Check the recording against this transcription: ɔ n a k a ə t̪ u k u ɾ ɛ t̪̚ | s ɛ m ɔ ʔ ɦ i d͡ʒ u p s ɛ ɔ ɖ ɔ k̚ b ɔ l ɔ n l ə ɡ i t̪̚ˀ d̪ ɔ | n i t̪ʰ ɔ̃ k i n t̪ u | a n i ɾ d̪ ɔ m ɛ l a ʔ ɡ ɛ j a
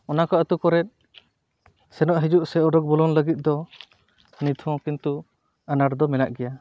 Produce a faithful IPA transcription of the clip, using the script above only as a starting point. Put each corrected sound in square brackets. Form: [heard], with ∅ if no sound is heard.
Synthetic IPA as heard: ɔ n a k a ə t̪ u k [ɔ] ɾ ɛ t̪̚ | s ɛ [n] ɔ ʔ ɦ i d͡ʒ u [ʔ] s ɛ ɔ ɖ ɔ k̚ b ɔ l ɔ n l ə ɡ i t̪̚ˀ d̪ ɔ | n i t̪ʰ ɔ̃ k i n t̪ u | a n [a] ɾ d̪ ɔ m ɛ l a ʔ ɡ ɛ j a